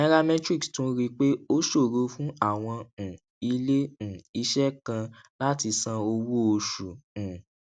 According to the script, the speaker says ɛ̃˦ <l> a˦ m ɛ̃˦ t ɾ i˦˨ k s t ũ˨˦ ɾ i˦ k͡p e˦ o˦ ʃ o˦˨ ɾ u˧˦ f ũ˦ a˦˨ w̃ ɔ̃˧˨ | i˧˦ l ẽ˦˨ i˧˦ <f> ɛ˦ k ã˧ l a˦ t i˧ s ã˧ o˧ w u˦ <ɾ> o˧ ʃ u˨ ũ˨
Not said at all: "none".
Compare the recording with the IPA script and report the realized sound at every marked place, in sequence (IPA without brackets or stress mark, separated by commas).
ɾ, ʃ, none